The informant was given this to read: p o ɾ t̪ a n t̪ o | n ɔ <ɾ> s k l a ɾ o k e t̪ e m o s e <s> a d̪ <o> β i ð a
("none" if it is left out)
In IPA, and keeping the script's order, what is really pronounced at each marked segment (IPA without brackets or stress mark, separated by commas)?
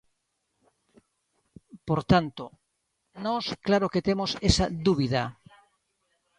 none, s, u